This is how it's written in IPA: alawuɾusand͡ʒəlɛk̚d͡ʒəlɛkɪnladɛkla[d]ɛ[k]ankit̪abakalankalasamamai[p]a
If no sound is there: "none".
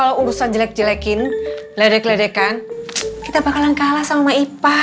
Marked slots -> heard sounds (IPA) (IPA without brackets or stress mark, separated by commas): d, k, p